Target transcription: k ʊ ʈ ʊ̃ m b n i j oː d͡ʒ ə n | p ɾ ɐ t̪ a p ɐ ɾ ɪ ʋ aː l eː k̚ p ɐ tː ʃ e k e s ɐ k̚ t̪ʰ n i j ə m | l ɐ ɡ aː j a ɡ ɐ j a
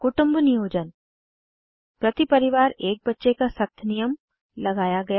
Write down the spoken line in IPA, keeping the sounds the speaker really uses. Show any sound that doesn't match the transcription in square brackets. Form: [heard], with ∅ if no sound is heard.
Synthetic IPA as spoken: k ʊ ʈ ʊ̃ m b n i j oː d͡ʒ ə n | p ɾ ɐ t̪ [i] p ɐ ɾ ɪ ʋ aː [ɾ] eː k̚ [b] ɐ tː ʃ e k [a] s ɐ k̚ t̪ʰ n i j ə m | l ɐ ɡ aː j a ɡ ɐ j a